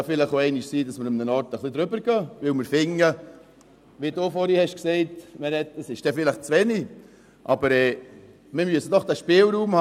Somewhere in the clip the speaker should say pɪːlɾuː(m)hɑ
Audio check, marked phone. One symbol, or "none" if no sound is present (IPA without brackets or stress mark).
m